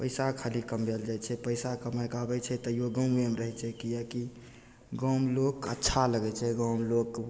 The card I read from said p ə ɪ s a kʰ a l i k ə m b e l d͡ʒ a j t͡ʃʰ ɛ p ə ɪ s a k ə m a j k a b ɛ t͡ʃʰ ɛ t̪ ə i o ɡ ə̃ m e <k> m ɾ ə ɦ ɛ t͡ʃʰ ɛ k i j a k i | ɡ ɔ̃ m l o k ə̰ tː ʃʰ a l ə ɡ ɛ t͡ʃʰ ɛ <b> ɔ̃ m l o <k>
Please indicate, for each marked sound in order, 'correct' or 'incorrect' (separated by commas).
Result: incorrect, incorrect, correct